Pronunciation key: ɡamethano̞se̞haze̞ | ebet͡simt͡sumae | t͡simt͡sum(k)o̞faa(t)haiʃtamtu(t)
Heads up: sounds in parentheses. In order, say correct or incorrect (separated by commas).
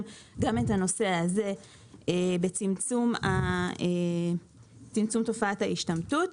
incorrect, correct, correct